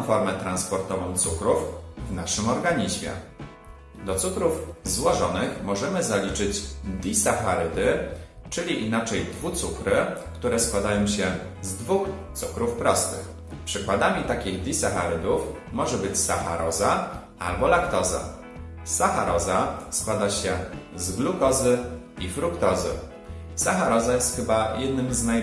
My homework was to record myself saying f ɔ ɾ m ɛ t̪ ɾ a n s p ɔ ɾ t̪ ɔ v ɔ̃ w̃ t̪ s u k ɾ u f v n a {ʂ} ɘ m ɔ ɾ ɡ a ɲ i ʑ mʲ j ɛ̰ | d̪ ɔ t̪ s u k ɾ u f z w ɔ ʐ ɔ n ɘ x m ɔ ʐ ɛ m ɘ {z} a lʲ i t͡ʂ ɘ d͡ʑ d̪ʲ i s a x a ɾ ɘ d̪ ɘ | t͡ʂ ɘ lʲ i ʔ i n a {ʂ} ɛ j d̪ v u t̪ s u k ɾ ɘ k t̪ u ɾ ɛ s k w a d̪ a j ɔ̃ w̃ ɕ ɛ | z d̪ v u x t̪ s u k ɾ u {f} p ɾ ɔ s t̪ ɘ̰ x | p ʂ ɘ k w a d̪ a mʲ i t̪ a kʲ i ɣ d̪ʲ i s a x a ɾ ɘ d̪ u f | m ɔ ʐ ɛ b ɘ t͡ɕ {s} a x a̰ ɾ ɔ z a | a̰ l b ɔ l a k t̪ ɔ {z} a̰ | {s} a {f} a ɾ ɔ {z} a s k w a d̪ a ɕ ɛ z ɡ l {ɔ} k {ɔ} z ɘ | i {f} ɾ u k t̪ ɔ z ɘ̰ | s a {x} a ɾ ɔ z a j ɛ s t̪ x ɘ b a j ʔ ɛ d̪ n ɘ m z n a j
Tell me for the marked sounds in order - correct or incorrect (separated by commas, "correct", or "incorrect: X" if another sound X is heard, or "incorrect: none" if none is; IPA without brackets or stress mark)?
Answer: correct, correct, incorrect: t͡ʂ, correct, correct, correct, correct, incorrect: x, correct, incorrect: u, correct, correct, correct